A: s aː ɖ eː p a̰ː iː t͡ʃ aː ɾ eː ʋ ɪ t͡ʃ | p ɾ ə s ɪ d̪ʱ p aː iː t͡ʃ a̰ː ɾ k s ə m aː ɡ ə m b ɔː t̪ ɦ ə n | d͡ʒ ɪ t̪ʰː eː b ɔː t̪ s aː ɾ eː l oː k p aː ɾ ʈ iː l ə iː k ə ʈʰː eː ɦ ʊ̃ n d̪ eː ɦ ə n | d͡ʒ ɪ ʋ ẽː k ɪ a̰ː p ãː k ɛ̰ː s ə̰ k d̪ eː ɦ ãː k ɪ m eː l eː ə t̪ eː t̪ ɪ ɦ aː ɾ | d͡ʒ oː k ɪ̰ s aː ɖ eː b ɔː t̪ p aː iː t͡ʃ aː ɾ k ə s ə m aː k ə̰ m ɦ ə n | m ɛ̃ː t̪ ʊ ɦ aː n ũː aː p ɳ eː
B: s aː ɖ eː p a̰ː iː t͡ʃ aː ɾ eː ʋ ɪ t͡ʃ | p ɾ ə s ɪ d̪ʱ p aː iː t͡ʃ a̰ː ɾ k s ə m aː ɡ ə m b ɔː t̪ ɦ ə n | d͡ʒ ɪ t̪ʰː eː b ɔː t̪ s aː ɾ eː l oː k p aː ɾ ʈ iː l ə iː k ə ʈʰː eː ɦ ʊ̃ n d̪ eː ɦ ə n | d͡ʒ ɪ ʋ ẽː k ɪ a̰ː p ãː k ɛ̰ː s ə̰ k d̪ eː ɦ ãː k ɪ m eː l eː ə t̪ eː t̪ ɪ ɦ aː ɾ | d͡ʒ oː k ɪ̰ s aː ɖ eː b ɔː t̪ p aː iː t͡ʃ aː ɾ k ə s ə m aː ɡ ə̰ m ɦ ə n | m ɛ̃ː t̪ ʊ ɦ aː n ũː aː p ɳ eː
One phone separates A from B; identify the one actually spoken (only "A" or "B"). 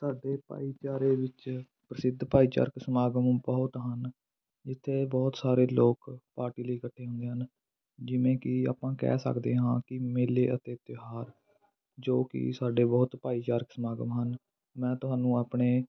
B